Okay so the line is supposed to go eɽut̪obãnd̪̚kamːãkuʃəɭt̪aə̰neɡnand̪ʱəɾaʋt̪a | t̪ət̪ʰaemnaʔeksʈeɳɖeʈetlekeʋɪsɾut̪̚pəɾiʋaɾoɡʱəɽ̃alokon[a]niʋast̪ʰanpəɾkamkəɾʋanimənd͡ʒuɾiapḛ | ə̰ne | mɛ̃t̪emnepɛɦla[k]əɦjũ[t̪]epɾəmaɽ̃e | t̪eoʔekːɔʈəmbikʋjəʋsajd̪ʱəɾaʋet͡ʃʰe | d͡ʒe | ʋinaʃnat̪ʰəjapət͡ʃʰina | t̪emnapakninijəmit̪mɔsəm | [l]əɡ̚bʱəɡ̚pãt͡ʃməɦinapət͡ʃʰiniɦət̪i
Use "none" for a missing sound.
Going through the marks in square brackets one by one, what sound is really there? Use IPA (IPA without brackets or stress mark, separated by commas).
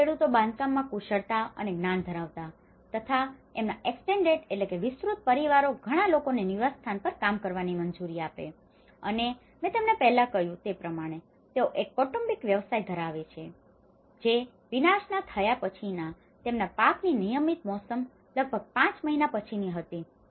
e, k, t̪, l